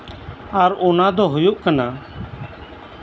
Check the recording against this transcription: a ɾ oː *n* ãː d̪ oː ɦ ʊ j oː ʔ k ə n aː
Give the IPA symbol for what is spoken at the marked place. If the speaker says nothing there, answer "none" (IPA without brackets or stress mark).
n